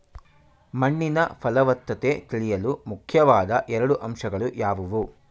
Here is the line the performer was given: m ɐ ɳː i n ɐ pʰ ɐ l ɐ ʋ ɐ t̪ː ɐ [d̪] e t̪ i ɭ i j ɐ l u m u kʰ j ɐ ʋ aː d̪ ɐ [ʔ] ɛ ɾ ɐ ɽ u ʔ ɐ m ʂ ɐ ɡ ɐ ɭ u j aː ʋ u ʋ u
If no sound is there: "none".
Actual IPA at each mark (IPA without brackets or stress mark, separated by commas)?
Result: t̪, ʔ